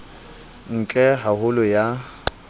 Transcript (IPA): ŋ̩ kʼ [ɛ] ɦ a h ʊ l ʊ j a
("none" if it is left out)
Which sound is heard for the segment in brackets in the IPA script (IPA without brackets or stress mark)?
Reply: ɛ